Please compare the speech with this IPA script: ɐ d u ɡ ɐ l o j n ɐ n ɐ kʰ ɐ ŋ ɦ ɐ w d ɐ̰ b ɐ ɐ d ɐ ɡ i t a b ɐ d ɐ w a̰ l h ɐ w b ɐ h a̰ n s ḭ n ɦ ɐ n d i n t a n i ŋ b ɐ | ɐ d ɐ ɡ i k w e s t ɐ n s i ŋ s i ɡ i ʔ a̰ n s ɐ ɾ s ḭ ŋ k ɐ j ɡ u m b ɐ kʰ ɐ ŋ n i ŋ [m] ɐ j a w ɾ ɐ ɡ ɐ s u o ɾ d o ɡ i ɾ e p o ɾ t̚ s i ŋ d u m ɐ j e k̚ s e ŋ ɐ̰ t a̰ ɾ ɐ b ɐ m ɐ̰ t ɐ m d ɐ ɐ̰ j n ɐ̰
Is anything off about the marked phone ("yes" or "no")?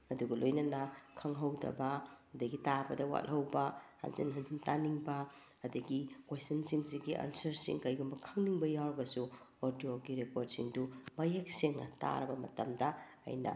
yes